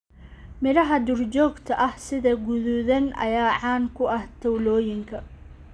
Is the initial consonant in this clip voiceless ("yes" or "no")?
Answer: no